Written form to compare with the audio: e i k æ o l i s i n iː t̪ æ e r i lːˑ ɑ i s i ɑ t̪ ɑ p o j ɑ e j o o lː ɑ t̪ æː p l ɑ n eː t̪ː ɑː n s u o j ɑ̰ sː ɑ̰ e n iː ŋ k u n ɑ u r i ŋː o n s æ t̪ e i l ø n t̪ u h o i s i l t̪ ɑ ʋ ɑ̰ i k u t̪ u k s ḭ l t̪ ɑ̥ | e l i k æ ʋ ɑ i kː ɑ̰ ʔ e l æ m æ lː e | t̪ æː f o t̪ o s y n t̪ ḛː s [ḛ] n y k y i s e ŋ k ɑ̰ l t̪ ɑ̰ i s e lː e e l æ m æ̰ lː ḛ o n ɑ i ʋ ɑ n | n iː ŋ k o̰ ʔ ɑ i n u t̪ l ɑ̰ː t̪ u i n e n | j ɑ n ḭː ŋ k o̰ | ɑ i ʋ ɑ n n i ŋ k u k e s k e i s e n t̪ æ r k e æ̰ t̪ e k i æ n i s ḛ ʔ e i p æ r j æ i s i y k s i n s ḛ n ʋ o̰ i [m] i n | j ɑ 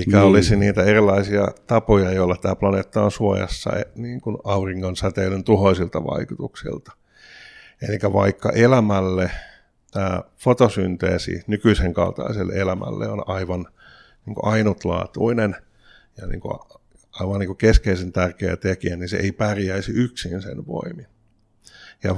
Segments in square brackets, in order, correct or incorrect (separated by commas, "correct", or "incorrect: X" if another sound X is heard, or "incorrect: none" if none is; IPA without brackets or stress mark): incorrect: ḭ, correct